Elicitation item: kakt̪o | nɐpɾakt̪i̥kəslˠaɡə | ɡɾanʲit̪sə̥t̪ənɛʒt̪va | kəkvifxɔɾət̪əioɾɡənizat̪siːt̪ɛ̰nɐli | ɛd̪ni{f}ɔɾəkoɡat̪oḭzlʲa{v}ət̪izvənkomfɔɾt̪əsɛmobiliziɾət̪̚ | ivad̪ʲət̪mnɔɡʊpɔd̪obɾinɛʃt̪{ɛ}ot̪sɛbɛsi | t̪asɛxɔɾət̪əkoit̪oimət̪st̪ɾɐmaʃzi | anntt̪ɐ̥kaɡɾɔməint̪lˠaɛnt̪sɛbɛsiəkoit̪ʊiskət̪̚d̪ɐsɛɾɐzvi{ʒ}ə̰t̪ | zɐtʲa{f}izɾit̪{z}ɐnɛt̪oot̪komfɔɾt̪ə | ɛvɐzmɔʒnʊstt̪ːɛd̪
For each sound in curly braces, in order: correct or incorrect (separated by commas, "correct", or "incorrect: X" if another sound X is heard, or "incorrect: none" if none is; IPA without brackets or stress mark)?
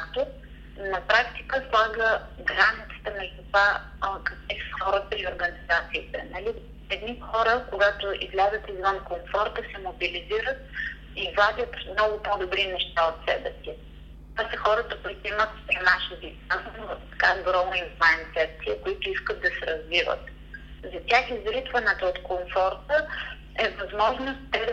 incorrect: x, incorrect: z, incorrect: a, incorrect: v, incorrect: x, incorrect: v